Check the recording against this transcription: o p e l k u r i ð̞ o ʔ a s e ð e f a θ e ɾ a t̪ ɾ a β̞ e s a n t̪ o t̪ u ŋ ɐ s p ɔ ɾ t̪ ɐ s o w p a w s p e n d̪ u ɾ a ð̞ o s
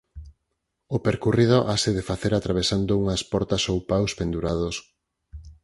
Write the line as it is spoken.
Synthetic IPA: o p e ɾ k u r i ð̞ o ʔ a s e ð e f a θ e ɾ a t̪ ɾ a β̞ e s a n d̪ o u ŋ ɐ s p ɔ ɾ t̪ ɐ s o w p a w s p e n d̪ u ɾ a ð̞ o s